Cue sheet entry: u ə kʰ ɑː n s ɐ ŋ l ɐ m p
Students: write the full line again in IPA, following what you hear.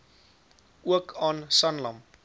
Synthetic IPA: u ə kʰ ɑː n s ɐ n l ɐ m p